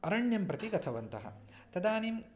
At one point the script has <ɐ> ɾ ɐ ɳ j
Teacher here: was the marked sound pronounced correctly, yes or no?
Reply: yes